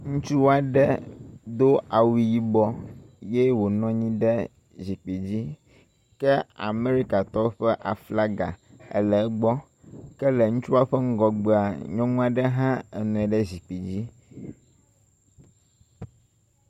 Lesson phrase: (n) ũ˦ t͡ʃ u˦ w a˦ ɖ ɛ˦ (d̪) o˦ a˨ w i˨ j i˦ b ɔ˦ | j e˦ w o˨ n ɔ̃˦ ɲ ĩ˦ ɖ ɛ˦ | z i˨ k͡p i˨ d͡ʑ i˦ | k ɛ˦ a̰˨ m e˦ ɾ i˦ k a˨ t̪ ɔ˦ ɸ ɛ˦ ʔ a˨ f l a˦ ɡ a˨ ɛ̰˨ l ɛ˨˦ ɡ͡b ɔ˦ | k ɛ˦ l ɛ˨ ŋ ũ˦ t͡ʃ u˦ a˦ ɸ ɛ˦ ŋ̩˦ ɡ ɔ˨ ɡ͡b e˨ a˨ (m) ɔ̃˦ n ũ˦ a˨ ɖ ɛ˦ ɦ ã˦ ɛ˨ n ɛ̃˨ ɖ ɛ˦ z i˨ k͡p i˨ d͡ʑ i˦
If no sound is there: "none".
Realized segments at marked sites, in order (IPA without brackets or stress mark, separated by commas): ŋ, d̪, ɲ